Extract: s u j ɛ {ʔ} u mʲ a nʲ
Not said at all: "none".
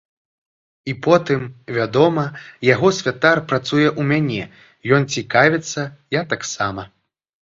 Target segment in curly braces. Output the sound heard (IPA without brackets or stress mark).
ʔ